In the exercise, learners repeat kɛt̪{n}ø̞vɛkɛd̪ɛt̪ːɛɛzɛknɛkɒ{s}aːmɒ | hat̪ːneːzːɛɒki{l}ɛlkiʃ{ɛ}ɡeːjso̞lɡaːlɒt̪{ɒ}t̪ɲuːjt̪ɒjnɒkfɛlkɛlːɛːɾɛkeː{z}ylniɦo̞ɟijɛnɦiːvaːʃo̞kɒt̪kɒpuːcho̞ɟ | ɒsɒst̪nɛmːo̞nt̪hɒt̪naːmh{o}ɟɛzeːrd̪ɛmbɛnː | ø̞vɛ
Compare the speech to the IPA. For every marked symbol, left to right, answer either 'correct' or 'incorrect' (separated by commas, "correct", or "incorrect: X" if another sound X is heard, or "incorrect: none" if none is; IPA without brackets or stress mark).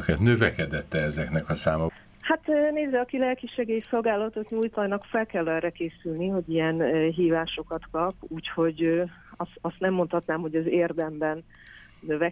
correct, correct, correct, correct, incorrect: o, incorrect: s, correct